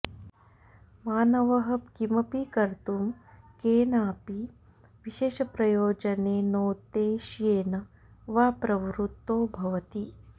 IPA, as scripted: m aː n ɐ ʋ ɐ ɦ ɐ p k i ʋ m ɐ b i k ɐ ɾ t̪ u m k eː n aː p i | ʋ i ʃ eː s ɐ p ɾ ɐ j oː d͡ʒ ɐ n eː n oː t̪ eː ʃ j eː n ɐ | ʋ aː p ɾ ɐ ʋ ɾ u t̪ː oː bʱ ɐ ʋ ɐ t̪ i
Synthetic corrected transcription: m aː n ɐ ʋ ɐ ɦ ɐ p k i m ɐ p i k ɐ ɾ t̪ u m k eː n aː p i | ʋ i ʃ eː ʃ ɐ p ɾ ɐ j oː d͡ʒ ɐ n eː n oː t̪ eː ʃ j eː n ɐ | ʋ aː p ɾ ɐ ʋ ɾ u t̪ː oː bʱ ɐ ʋ ɐ t̪ i